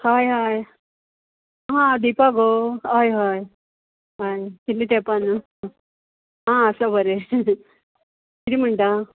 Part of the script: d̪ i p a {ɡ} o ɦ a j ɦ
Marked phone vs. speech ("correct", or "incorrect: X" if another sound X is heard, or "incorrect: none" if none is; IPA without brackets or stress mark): correct